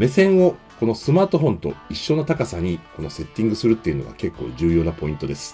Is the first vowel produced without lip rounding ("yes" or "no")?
yes